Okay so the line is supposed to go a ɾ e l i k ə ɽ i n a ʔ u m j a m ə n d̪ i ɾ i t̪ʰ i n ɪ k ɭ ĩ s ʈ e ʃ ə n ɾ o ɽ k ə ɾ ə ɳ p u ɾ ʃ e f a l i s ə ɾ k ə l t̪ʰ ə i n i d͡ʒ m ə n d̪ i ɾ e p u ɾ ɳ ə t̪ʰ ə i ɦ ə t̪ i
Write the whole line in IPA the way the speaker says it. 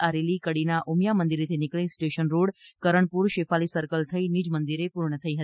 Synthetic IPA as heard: a ɾ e l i k ə ɽ i n a ʔ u m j a m ə n d̪ i ɾ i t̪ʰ i n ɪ k ɭ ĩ s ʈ e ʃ ə n ɾ o ɽ k ə ɾ ə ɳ p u ɾ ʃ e f a l i s ə ɾ k ə l t̪ʰ ə i n i d͡ʒ m ə n d̪ i ɾ e p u ɾ ɳ ə t̪ʰ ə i ɦ ə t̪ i